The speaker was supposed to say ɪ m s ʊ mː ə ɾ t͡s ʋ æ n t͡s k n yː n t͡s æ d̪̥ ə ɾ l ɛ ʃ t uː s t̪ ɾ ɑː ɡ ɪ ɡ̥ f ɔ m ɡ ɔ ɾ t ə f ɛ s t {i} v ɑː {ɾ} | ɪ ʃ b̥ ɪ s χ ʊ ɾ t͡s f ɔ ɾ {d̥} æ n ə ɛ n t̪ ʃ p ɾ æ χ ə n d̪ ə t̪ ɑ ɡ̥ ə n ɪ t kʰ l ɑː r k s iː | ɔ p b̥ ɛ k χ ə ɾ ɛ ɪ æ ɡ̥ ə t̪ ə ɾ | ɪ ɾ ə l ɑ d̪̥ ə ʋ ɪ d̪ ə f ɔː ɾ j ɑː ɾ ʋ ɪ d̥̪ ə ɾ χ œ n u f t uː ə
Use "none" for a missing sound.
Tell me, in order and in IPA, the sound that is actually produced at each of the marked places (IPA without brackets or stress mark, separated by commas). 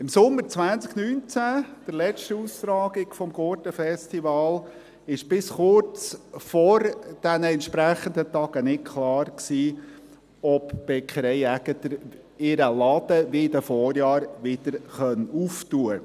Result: i, l, d̥